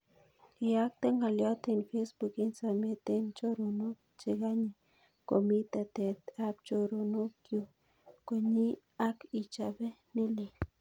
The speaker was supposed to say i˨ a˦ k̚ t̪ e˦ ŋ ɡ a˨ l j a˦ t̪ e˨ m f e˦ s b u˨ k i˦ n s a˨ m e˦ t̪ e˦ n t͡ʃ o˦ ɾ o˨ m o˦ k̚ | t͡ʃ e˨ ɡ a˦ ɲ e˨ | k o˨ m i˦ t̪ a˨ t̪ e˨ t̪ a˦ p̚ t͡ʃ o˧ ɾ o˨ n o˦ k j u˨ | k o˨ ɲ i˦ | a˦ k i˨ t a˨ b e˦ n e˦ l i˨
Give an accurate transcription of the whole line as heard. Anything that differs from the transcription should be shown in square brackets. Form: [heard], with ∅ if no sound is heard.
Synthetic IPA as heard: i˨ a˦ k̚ t̪ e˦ ŋ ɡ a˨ l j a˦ t̪ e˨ [n] f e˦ s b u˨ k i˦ n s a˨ m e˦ t̪ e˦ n t͡ʃ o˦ ɾ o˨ [n] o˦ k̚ | t͡ʃ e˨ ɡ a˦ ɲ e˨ | k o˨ m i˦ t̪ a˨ t̪ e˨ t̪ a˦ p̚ t͡ʃ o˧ ɾ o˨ n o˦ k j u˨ | k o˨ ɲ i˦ | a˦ k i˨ [t͡ʃ] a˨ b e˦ n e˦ l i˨